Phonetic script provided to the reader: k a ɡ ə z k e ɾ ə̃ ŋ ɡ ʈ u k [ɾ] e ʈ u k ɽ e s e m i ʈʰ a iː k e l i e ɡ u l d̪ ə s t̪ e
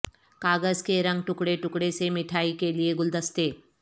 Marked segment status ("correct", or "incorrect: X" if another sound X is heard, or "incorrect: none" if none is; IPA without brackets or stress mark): incorrect: ɽ